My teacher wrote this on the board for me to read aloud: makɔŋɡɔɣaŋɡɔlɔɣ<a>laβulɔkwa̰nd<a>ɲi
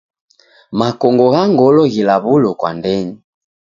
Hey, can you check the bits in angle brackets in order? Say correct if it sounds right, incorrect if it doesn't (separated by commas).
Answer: incorrect, incorrect